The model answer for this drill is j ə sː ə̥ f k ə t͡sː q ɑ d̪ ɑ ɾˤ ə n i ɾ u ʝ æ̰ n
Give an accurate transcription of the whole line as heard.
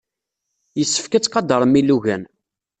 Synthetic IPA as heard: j ə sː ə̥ f k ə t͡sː q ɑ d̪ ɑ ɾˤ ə m i l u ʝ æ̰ n